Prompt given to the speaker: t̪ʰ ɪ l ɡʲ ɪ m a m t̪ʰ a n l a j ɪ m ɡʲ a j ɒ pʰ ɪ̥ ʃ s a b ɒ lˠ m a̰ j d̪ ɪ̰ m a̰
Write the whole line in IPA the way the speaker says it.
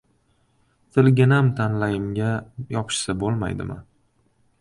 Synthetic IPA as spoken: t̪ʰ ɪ l ɡʲ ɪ n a m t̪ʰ a n l a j ɪ m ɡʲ a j ɒ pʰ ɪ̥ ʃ s a b o lˠ m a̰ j d̪ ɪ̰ m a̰

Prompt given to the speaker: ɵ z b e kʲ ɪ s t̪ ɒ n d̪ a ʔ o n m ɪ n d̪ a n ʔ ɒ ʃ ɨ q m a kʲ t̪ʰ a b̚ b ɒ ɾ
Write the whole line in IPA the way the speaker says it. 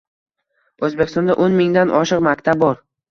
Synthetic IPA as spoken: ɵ z b e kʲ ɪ s t̪ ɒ n d̪ a ʔ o n m ɪ ŋ d̪ a n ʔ ɒ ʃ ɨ q m a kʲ t̪ʰ a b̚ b ɒ ɾ

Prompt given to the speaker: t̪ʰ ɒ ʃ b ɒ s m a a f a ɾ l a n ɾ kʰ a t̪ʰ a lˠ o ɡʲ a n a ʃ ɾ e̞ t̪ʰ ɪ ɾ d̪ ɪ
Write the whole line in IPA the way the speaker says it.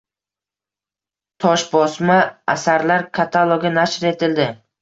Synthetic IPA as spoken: t̪ʰ ɒ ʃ b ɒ s m a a s a ɾ l a ɾ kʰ a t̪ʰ a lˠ o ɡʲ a n a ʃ ɾ e̞ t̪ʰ ɪ l d̪ ɪ

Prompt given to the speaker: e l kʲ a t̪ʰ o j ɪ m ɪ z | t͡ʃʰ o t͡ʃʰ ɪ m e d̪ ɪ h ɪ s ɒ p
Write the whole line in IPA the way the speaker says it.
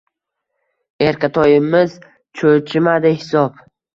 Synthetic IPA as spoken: e ɾ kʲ a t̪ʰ ɒ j ɪ m ɪ z | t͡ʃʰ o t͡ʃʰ ɪ m a d̪ ɪ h ɪ s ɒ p

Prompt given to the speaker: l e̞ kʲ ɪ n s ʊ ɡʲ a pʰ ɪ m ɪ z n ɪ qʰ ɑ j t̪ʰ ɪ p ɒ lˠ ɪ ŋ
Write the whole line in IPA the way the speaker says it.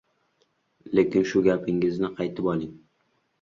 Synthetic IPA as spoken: l e̞ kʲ ɪ n ʃ ʊ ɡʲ a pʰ ɪ ŋ ɪ z n ɪ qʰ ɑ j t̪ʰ ɪ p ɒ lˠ ɪ ŋ

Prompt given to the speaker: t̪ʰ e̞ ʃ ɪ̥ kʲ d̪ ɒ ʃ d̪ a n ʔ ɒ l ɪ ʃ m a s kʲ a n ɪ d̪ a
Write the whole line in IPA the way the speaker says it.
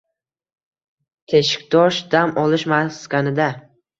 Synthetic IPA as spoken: t̪ʰ e̞ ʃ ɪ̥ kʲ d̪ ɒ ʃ d̪ a m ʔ ɒ l ɪ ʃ m a s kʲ a n ɪ d̪ a

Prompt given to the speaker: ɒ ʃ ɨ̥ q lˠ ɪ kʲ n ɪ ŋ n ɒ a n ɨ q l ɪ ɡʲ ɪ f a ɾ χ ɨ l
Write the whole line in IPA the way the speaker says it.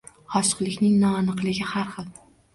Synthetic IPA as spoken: ɒ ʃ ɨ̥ q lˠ ɪ kʲ n ɪ ŋ n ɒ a n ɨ q l ɪ ɡʲ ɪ h a ɾ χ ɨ l

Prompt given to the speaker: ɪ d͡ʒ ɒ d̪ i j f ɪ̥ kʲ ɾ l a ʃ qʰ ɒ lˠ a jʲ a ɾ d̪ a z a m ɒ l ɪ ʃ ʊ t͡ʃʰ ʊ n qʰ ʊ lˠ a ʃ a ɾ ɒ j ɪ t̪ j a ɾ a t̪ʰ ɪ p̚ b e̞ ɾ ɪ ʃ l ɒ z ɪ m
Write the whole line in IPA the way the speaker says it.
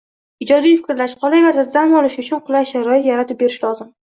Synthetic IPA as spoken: ɪ d͡ʒ ɒ d̪ i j f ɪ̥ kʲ ɾ l a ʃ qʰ ɒ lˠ a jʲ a ɾ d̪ a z a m ɒ l ɪ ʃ ʊ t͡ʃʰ ʊ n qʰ ʊ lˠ a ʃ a ɾ ɒ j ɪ t̪ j a ɾ a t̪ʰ ɪ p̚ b e̞ ɾ ɪ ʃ l ɒ z ɪ m

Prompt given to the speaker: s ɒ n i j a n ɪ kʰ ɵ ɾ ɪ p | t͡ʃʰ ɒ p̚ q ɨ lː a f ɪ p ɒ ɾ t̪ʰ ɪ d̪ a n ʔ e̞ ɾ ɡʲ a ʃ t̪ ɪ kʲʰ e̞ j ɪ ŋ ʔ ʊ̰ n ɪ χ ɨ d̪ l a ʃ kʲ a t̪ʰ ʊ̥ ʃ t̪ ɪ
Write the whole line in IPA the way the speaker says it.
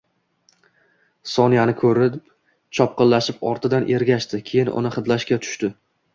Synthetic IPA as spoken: s ɒ n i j a n ɪ kʰ ɵ ɾ ɪ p | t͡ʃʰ ɒ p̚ q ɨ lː a ʃ ɪ p ɒ ɾ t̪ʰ ɪ d̪ a n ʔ e̞ ɾ ɡʲ a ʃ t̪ ɪ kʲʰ e̞ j ɪ n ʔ ʊ̰ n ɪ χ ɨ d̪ l a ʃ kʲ a t̪ʰ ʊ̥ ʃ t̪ ɪ

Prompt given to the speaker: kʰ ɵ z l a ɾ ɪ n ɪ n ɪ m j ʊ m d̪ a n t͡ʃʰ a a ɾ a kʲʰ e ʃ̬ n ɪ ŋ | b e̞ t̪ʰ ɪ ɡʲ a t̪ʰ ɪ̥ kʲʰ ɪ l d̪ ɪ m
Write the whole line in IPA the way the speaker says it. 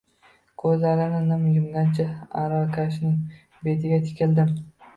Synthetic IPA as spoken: kʰ ɵ z l a ɾ ɪ n ɪ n ɪ m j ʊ m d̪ a n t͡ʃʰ a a ɾ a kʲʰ a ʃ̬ n ɪ ŋ | b e̞ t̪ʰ ɪ ɡʲ a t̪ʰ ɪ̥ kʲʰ ɪ l d̪ ɪ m

